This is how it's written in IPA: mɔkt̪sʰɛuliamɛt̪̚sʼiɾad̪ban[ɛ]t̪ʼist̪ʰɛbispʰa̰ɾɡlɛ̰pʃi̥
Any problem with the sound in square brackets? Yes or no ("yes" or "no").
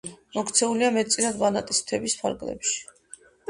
yes